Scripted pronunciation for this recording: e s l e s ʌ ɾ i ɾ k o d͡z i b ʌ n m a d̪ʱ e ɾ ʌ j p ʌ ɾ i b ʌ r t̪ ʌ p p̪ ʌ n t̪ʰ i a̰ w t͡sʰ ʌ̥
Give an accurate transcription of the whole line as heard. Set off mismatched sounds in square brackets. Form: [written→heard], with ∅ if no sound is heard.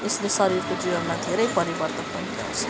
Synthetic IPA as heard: e s l e s ʌ ɾ i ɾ k o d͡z i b ʌ n m a d̪ʱ e ɾ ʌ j p ʌ ɾ i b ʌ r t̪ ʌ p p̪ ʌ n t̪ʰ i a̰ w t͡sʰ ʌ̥